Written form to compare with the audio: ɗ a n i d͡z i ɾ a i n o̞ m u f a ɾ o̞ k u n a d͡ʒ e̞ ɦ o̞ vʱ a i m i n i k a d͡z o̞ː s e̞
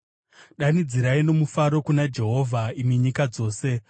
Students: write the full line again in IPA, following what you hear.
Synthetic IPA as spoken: ɗ a n i d͡z i ɾ a i n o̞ m u f a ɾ o̞ k u n a d͡ʒ e̞ ɦ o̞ vʱ a i m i ɲ i k a d͡z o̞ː s e̞

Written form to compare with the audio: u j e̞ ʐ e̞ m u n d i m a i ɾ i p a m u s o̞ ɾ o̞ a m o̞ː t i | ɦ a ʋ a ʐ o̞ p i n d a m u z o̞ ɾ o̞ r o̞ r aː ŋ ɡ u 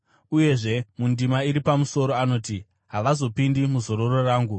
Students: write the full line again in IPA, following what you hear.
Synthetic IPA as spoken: u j e̞ ʐ e̞ m u n d i m a i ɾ i p a m u s o̞ ɾ o̞ a n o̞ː t i | ɦ a ʋ a z o̞ p i n d i m u z o̞ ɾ o̞ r o̞ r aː ŋ ɡ u

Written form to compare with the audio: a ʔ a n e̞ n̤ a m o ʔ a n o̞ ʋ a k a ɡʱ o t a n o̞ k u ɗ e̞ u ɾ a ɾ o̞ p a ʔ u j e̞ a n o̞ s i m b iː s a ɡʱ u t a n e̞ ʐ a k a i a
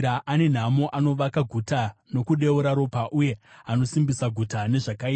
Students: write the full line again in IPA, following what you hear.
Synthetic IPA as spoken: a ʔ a n e̞ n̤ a m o ʔ a n o̞ ʋ a k a ɡʱ u t a n o̞ k u ɗ e̞ u ɾ a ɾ o̞ p a ʔ u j e̞ a n o̞ s i m b i s a ɡʱ u t a n e̞ ʐ a k a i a

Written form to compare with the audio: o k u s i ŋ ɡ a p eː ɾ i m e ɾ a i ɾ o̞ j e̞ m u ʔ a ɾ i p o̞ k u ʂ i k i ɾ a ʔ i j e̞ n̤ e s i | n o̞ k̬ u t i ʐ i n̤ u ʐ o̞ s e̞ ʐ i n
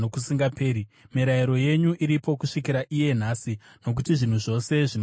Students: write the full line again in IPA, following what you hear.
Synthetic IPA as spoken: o k u s i ŋ ɡ a p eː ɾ i m i ɾ a i ɾ o̞ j e̞ ɲ u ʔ i ɾ i p o̞ k u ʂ i k i ɾ a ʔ i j e̞ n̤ a s i | n o̞ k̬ u t i ʐ i n̤ u ʐ o̞ s e̞ ʐ i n

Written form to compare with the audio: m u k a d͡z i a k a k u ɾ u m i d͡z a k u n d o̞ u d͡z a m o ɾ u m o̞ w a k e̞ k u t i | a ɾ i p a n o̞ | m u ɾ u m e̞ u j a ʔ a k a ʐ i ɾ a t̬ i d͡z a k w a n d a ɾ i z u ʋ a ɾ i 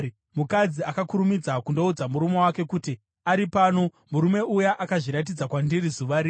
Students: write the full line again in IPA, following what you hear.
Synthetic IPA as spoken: m u k a d͡z i a k a k u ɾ u m i d͡z a k u n d o̞ u d͡z a m u ɾ u m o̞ w a k e̞ k u t i | a ɾ i p a n o̞ | m u ɾ u m e̞ u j a ʔ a k a ʐ i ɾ a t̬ i d͡z a k w a n d i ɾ i z u ʋ a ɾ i

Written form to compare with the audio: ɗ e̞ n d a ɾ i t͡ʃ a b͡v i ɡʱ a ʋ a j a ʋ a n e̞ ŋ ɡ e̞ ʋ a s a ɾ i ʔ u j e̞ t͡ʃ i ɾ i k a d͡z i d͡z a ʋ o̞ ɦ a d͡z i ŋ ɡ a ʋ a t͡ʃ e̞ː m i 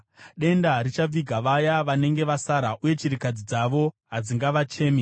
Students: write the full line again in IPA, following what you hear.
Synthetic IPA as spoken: ɗ e̞ n d a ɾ i t͡ʃ a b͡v i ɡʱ a ʋ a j a ʋ a n e̞ ŋ ɡ e̞ ʋ a s a ɾ a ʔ u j e̞ t͡ʃ i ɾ i k a d͡z i d͡z a ʋ o̞ ɦ a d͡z i ŋ ɡ a ʋ a t͡ʃ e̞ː m i

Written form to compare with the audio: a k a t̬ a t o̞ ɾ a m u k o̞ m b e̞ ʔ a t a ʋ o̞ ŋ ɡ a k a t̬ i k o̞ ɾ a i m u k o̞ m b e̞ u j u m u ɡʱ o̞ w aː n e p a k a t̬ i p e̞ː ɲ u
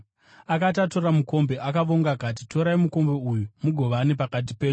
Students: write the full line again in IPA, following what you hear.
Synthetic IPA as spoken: a k a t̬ a t o̞ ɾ a m u k o̞ m b e̞ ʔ a k a ʋ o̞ ŋ ɡ a k a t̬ i t o̞ ɾ a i m u k o̞ m b e̞ u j u m u ɡʱ o̞ ʋ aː n e p a k a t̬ i p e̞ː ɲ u

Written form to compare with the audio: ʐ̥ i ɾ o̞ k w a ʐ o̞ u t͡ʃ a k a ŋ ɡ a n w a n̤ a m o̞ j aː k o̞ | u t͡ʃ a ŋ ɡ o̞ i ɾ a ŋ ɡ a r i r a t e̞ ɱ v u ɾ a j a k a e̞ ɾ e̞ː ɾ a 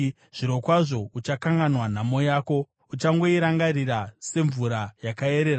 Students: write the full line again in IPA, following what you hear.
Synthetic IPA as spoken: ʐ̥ i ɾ o̞ k w a ʐ o̞ u t͡ʃ a k a ŋ ɡ a n w a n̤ a m o̞ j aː k o̞ | u t͡ʃ a ŋ ɡ o̞ i ɾ a ŋ ɡ a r i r a s e̞ ɱ v u ɾ a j a k a e̞ ɾ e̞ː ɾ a

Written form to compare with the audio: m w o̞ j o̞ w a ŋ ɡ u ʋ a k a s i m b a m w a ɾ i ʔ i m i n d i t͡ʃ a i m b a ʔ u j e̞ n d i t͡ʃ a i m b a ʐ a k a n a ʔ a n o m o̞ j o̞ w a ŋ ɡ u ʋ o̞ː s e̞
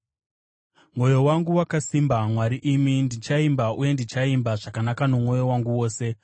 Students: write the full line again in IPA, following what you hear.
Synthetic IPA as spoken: m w o̞ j o̞ w a ŋ ɡ u w a k a s i m b a m w a ɾ i ʔ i m i n d i t͡ʃ a i m b a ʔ u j e̞ n d i t͡ʃ a i m b a ʐ a k a n a k a n o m o̞ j o̞ w a ŋ ɡ u w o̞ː s e̞

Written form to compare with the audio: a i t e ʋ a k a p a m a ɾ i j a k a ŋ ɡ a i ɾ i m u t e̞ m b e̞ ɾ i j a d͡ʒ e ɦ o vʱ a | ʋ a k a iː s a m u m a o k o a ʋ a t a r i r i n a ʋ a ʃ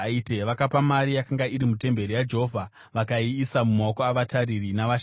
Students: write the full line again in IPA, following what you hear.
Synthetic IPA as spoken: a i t e ʋ a k a p a m a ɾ i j a k a ŋ ɡ a i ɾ i m u t e̞ m b e̞ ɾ i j a d͡ʒ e ɦ o vʱ a | ʋ a k a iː s a m u m a o k o a ʋ a t a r i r i n a ʋ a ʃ

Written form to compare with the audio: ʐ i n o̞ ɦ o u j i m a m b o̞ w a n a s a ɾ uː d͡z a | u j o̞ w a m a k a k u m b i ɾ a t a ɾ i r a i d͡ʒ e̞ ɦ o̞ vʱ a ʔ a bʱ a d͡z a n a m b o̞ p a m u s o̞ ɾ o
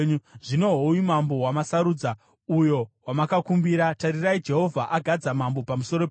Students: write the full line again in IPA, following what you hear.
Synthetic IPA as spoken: ʐ i n o̞ ɦ o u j i m a m b o̞ w a m a s a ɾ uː d͡z a | u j o̞ w a m a k a k u m b i ɾ a t a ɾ i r a i d͡ʒ e̞ ɦ o̞ vʱ a ʔ a ɡʱ a d͡z a m a m b o̞ p a m u s o̞ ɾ o

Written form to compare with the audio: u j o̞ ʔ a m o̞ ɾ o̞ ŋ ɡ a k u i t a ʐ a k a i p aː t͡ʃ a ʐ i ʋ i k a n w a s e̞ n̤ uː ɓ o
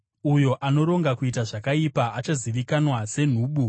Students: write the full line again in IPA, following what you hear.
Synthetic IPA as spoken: u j o̞ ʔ a n o̞ ɾ o̞ ŋ ɡ a k u i t a ʐ a k a i p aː t͡ʃ a z i ʋ i k a n w a s e̞ n̤ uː ɓ u

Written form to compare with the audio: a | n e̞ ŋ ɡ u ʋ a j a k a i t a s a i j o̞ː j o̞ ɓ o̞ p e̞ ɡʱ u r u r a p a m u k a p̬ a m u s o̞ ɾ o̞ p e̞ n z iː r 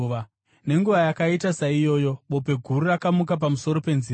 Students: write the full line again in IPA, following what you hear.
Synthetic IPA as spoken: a | n e̞ ŋ ɡ u ʋ a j a k a i t a s a i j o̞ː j o̞ ɓ o̞ p e̞ ɡʱ u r u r a k a m u k a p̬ a m u s o̞ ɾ o̞ p e̞ n z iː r

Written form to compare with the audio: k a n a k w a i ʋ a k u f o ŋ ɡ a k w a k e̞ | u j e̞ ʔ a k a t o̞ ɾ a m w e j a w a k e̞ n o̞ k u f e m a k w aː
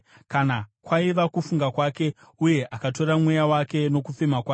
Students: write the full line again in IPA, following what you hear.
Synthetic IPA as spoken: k a n a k w a i ʋ a k u f u ŋ ɡ a k w a k e̞ | u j e̞ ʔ a k a t o̞ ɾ a m w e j a w a k e̞ n o̞ k u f e m a k w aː

